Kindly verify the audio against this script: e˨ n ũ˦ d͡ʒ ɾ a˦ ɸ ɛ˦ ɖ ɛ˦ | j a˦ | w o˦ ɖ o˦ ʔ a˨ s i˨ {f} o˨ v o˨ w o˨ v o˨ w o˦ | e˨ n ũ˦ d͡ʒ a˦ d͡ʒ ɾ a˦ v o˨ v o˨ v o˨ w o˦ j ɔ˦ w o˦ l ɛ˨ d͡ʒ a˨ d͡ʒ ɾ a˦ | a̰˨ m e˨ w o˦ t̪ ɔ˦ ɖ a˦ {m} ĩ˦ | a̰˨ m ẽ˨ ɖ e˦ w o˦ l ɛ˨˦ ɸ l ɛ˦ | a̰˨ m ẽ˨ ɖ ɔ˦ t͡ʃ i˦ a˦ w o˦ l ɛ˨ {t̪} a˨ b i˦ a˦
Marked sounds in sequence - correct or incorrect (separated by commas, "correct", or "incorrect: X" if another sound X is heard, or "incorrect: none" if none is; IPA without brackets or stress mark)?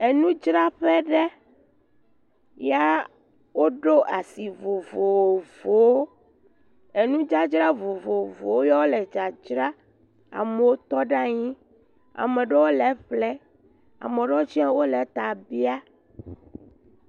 incorrect: v, incorrect: ɲ, correct